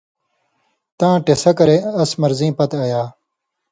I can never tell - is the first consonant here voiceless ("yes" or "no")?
yes